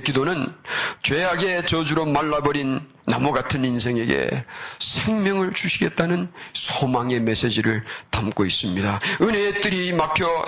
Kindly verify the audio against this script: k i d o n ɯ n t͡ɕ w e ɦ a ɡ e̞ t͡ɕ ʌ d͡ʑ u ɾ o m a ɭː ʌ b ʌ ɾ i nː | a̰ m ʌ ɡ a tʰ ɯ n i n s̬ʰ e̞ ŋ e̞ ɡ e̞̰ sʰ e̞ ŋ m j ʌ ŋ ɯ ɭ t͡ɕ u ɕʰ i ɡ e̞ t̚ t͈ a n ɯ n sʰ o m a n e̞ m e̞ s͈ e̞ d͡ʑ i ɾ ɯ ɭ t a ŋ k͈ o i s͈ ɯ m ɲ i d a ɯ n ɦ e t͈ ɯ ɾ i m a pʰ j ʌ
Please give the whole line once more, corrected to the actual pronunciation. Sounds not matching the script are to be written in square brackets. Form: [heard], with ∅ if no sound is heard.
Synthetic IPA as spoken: k i d o n ɯ n t͡ɕ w e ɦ a ɡ e̞ t͡ɕ ʌ d͡ʑ u ɾ o m a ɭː [a] b ʌ ɾ i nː | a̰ m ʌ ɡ a tʰ ɯ n i n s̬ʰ e̞ ŋ e̞ ɡ e̞̰ sʰ e̞ ŋ m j ʌ ŋ ɯ ɭ t͡ɕ u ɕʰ i ɡ e̞ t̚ t͈ a n ɯ n sʰ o m a [ŋ] e̞ m e̞ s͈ e̞ d͡ʑ i ɾ ɯ ɭ t a [m] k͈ o i s͈ ɯ m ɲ i d a ɯ n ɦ e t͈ ɯ ɾ i m a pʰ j ʌ